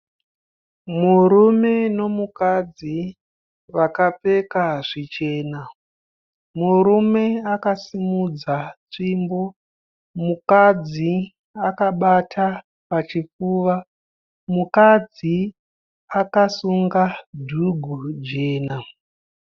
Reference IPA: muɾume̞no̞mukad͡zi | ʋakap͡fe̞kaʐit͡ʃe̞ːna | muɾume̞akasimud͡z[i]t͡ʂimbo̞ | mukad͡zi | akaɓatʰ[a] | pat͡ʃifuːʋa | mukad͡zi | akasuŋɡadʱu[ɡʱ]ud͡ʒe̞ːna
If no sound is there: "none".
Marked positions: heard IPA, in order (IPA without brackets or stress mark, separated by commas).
a, a, ɡʱ